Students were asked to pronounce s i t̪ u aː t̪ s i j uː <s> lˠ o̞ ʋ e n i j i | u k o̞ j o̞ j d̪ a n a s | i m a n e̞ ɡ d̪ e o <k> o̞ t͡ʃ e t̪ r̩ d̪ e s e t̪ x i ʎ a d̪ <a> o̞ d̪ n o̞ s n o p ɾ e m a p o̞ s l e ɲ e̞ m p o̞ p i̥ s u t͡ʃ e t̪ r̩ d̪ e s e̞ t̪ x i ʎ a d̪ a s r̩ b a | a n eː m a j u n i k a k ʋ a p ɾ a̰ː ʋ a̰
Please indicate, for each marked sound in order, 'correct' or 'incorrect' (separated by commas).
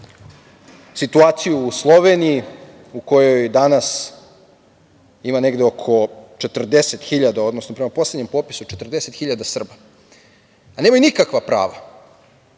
correct, incorrect, correct